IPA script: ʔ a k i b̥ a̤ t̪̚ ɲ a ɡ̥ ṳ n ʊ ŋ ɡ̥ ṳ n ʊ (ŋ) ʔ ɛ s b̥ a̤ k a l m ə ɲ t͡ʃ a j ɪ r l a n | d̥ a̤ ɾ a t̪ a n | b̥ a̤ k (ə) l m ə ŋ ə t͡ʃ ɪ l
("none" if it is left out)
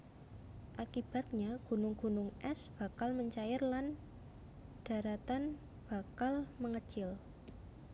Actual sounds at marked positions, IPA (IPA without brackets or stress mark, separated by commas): ŋ, a